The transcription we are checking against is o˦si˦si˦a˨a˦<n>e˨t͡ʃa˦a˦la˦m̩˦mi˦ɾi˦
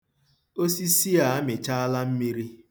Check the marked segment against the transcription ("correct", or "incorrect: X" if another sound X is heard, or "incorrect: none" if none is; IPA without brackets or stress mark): incorrect: m